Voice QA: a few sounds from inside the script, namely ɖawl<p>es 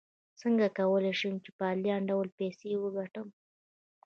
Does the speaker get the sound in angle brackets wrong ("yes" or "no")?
no